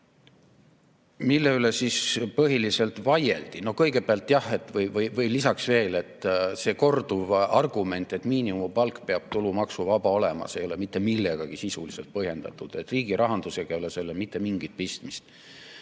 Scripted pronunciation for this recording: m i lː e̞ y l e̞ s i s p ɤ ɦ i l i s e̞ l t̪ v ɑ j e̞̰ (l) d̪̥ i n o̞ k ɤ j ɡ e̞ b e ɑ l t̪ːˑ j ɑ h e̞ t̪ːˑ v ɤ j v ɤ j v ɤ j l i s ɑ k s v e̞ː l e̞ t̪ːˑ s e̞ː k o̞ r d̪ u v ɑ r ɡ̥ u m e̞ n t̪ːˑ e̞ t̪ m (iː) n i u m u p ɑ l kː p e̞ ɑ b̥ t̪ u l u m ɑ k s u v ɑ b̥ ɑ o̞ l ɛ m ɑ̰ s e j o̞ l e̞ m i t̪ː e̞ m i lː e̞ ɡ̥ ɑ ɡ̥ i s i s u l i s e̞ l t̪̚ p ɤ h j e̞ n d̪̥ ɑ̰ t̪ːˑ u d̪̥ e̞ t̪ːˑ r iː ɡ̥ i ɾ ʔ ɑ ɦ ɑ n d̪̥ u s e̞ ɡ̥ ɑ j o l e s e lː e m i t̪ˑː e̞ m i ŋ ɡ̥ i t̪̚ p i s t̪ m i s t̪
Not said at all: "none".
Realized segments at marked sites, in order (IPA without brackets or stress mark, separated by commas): l, iː